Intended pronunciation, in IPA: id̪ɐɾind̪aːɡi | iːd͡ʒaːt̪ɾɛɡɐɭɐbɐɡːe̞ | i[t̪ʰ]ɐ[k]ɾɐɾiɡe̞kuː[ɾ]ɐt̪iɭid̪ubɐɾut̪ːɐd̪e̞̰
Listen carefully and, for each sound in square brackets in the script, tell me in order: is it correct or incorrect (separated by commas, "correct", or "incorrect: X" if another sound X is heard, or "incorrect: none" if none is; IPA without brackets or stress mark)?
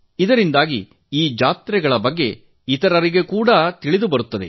incorrect: t̪, incorrect: none, incorrect: ɽ